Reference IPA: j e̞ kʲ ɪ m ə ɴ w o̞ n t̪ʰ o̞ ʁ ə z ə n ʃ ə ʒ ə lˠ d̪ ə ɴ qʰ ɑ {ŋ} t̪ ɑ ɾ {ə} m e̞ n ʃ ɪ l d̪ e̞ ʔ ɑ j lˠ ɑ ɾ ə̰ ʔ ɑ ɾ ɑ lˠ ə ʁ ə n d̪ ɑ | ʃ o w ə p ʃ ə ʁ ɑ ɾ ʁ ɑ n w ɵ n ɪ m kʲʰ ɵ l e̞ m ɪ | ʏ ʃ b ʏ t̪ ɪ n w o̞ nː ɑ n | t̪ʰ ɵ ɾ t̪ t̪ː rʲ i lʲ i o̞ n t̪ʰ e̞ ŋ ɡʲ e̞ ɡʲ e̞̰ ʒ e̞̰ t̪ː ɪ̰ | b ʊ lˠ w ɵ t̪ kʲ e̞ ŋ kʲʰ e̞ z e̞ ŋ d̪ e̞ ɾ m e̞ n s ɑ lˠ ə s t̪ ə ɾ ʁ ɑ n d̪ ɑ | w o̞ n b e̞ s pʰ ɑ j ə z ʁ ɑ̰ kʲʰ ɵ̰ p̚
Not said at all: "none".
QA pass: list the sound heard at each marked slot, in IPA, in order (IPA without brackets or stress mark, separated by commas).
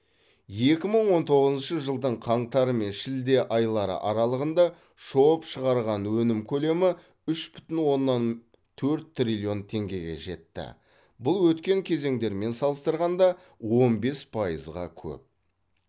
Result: ɴ, ə